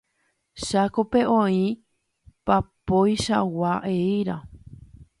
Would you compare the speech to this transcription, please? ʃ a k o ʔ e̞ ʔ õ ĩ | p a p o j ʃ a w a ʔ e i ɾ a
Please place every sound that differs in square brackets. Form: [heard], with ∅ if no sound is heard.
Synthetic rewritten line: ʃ a k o [p] e̞ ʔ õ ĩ | p a p o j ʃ a w a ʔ e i ɾ a